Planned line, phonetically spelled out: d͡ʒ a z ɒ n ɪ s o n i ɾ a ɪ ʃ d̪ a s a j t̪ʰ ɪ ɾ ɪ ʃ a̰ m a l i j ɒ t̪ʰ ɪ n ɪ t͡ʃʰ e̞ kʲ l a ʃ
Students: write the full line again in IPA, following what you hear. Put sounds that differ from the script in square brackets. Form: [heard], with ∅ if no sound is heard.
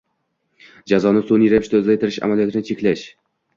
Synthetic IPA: d͡ʒ a z ɒ n ɪ s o n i ɾ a ɪ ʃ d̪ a [z] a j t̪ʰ ɪ ɾ ɪ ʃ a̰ m a l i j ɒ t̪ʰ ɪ n ɪ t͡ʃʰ e̞ kʲ l a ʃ